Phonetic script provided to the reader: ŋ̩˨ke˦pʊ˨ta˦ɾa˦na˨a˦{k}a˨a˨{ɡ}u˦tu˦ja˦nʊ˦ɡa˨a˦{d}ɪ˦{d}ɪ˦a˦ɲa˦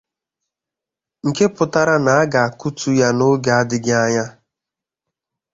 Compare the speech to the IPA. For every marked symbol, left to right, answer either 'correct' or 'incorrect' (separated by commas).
incorrect, incorrect, correct, incorrect